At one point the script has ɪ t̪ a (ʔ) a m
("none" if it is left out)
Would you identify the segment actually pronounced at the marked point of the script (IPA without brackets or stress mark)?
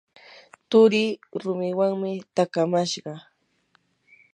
k